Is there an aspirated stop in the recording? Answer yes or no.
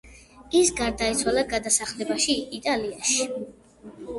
no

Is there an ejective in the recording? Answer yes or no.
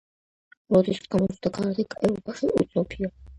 yes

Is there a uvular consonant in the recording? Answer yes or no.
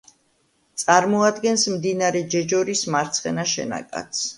yes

